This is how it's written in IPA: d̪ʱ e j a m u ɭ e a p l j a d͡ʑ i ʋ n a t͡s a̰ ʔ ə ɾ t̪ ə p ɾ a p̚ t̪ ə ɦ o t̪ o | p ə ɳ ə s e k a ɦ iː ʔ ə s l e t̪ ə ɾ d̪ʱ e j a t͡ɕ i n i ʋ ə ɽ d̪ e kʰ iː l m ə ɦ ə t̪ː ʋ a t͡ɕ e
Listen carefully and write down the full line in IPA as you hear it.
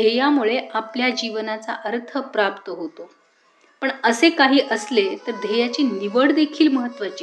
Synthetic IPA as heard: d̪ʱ e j a m u ɭ e a p l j a d͡ʑ i ʋ n a t͡s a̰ ʔ ə ɾ t̪ʰ ə p ɾ a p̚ t̪ ə ɦ o t̪ o | p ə ɳ ə s e k a ɦ iː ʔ ə s l e t̪ ə ɾ d̪ʱ e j a t͡ɕ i n i ʋ ə ɽ d̪ e kʰ iː l m ə ɦ ə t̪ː ʋ a t͡ɕ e